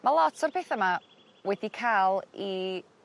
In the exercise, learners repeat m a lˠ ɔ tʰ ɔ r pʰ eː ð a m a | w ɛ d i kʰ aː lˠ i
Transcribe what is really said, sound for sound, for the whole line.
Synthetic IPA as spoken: m a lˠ ɔ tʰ ɔ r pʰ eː θ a m a | w ɛ d i kʰ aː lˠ i

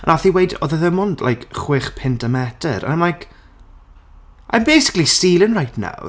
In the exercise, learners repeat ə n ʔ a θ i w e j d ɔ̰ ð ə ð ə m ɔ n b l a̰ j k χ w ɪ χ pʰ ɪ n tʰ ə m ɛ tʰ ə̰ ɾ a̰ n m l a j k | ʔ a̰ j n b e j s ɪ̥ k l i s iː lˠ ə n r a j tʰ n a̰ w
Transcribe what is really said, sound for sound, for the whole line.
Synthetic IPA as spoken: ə n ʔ a θ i w e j d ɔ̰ ð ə ð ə m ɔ n d l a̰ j k χ w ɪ χ pʰ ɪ n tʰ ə m ɛ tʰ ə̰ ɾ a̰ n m l a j k | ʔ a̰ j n b e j s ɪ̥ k l i s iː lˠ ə n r a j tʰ n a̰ w

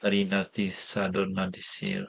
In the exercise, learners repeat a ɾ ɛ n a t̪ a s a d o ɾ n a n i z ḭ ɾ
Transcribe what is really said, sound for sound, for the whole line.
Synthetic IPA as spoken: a ɾ i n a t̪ i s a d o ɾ n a d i s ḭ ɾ

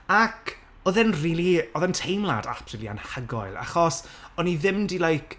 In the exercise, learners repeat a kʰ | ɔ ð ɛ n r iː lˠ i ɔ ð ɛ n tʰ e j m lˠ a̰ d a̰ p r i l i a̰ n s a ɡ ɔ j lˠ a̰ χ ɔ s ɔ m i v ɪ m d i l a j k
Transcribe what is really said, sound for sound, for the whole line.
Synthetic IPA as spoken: a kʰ | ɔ ð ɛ n r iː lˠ i ɔ ð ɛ n tʰ e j m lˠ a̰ d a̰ p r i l i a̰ n h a ɡ ɔ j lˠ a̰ χ ɔ s ɔ n i ð ɪ m d i l a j k

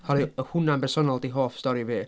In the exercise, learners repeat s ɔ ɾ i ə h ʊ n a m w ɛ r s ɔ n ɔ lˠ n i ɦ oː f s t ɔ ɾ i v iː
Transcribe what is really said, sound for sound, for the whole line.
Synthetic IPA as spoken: h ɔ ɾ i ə h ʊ n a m b ɛ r s ɔ n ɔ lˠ d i ɦ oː f s t ɔ ɾ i v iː

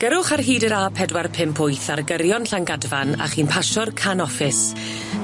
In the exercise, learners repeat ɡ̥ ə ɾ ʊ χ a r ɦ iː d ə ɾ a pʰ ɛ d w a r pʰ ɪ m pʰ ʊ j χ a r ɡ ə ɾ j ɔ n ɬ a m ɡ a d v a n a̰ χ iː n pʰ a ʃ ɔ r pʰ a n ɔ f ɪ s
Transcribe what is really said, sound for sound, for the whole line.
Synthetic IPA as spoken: ɡ̥ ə ɾ ʊ χ a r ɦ iː d ə ɾ a pʰ ɛ d w a r pʰ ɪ m pʰ ʊ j θ a r ɡ ə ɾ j ɔ n ɬ a ŋ ɡ a d v a n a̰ χ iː n pʰ a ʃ ɔ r kʰ a n ɔ f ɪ s

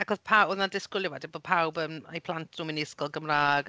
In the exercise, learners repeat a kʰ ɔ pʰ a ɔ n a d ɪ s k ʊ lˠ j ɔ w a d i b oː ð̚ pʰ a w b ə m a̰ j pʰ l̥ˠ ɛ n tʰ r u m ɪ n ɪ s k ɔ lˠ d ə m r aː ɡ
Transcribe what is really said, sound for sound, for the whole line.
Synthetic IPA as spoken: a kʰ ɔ pʰ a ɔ n a d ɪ s k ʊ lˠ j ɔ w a d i b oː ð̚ pʰ a w b ə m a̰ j pʰ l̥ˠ a n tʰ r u m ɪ n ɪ s k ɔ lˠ ɡ ə m r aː ɡ

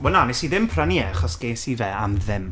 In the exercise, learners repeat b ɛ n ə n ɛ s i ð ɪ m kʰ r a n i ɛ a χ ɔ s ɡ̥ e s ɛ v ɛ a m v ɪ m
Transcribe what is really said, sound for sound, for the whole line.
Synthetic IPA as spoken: w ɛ n a n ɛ s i ð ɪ m pʰ r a n i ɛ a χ ɔ s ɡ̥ e s i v ɛ a m ð ɪ m

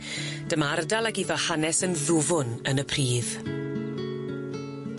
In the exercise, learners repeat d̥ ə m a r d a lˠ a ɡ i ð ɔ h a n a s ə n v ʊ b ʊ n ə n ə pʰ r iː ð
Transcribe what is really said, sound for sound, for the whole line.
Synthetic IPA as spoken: d̥ ə m a r d a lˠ a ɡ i ð ɔ h a n ɛ s ə n ð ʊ v ʊ n ə n ə pʰ r iː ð

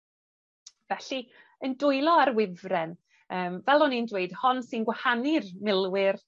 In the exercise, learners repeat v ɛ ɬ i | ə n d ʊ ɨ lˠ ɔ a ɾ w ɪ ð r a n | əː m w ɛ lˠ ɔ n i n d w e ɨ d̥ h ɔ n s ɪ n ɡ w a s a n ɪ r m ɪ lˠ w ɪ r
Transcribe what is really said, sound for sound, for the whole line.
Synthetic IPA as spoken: v ɛ ɬ i | ə n d ʊ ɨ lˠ ɔ a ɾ w ɪ v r ɛ n | əː m v ɛ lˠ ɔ n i n d w e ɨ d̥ h ɔ n s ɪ n ɡ w a h a n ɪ r m ɪ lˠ w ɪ r

